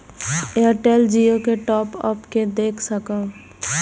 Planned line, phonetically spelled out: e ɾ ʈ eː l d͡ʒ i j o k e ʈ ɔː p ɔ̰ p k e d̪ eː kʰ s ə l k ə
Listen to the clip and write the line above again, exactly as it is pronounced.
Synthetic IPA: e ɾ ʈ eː l d͡ʒ i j o k e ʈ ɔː p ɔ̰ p k e d̪ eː kʰ s ə k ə